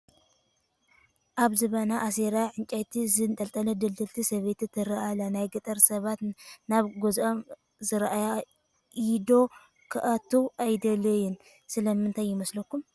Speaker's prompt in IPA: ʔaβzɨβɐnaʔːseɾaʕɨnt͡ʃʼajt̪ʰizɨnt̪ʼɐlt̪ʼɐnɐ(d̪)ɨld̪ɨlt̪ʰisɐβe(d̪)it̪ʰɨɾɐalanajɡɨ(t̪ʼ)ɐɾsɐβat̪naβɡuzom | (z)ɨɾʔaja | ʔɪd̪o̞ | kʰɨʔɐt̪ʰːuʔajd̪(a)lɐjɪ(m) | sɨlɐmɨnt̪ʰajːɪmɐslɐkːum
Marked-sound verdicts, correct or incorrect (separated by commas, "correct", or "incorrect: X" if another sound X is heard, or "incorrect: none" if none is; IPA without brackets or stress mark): correct, incorrect: t̪, correct, correct, incorrect: ɐ, incorrect: n